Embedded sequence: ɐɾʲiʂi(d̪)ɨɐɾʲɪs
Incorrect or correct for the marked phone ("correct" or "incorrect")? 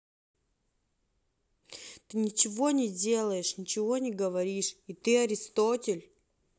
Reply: incorrect